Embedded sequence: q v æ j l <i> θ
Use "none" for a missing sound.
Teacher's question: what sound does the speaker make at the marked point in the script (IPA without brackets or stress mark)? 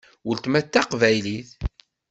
i